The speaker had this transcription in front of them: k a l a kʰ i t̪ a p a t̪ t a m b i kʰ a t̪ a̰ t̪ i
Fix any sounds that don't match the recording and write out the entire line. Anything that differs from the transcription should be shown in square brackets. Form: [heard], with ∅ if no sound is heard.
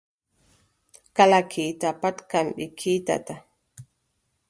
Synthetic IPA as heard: k a l a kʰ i t̪ a p a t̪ [k] a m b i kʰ [i] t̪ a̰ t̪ [a]